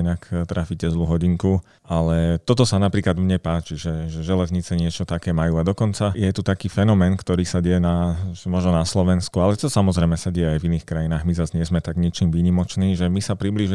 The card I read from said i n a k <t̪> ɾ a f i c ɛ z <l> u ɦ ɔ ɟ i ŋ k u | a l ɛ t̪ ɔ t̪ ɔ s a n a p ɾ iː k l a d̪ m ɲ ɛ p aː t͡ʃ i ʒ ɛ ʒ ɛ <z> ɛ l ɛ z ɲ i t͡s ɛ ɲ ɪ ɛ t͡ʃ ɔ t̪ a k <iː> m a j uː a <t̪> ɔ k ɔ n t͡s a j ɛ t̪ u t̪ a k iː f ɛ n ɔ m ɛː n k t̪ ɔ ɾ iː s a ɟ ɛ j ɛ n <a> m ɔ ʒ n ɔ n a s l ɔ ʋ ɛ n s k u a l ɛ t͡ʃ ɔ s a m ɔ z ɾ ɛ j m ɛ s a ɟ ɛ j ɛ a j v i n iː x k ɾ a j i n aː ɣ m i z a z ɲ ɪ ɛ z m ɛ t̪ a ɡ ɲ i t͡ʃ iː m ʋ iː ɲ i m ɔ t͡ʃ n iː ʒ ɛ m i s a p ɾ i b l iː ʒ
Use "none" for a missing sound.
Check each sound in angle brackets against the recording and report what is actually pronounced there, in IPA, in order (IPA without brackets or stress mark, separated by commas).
t̪, l, ʒ, ɛː, d̪, a